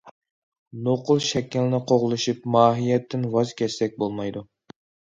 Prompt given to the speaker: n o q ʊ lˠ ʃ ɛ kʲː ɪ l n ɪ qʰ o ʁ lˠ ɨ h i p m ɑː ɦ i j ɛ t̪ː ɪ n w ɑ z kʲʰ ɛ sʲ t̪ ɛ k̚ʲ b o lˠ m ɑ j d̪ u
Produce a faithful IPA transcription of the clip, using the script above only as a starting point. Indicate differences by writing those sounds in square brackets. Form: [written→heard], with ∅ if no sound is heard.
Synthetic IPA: n o q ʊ lˠ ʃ ɛ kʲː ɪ l n ɪ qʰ o ʁ lˠ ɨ [h→ʃ] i p m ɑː ɦ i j ɛ t̪ː ɪ n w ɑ z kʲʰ ɛ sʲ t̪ ɛ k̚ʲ b o lˠ m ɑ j d̪ u